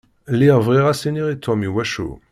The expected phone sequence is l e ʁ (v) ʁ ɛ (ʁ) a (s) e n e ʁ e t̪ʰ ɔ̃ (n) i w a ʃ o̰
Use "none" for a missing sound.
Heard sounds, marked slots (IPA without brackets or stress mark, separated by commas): v, ʁ, s, m